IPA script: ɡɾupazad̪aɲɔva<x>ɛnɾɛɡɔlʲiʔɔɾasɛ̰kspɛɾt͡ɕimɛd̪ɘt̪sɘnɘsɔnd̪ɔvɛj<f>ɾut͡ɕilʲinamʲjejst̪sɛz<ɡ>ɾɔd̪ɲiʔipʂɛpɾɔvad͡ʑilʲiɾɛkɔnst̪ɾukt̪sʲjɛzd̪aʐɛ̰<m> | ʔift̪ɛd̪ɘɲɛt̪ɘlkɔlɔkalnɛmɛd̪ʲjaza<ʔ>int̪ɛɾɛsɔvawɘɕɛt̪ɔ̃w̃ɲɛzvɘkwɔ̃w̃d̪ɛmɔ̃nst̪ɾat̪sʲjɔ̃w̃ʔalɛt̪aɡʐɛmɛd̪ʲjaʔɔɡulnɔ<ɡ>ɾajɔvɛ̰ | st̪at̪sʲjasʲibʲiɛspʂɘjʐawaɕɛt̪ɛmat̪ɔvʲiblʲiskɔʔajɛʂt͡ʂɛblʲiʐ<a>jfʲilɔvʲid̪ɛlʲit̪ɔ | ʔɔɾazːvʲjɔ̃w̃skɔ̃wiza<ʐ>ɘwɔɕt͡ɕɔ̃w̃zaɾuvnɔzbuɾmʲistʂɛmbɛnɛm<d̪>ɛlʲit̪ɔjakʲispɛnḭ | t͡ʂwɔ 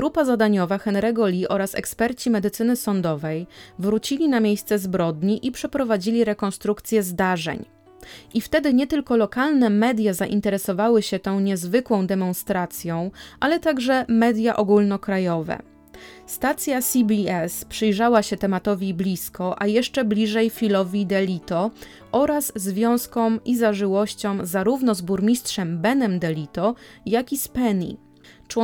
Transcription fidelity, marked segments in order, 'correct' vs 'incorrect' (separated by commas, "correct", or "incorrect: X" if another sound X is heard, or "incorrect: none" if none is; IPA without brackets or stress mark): correct, incorrect: v, incorrect: b, incorrect: ɲ, correct, incorrect: k, incorrect: ɛ, correct, correct